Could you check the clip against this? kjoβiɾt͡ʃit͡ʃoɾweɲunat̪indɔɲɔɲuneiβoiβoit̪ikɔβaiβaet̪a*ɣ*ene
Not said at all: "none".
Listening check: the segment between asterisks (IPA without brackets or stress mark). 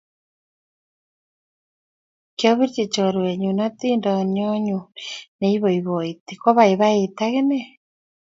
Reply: ɣ